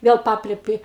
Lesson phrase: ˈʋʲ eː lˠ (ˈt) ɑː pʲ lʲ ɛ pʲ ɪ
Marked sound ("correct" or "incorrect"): incorrect